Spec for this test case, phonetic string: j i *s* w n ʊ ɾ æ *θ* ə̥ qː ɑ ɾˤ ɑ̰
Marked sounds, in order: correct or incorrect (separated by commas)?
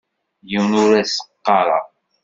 incorrect, incorrect